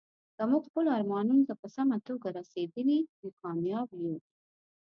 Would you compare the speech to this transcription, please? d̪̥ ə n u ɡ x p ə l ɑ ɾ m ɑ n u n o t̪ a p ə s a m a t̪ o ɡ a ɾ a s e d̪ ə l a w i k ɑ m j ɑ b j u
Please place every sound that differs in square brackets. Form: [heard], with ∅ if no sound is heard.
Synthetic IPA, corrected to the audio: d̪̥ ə [m] u ɡ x p ə l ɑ ɾ m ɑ n u n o t̪ a p ə s a m a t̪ o ɡ a ɾ a s e d̪ ə l [i] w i k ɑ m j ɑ b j u